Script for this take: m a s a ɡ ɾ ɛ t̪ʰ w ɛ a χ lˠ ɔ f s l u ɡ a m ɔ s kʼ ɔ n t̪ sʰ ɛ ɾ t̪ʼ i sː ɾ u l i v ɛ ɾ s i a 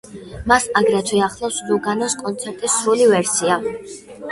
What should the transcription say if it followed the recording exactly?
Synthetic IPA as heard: m a s a ɡ ɾ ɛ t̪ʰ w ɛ a χ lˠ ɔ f s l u ɡ a n ɔ s kʼ ɔ n t̪ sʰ ɛ ɾ t̪ʼ i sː ɾ u l i v ɛ ɾ s i a